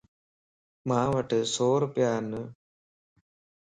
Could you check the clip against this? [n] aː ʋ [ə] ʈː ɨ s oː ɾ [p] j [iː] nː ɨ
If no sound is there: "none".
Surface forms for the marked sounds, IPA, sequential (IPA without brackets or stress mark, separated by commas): m, ɐ, p, aː